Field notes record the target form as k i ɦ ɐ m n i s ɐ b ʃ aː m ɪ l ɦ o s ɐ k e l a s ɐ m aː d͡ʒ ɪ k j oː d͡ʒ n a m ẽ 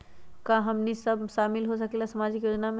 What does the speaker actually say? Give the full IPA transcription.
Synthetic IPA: k a ɦ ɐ m n i s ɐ b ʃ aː m ɪ l ɦ o s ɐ k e l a s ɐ m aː d͡ʒ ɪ k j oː d͡ʒ n a m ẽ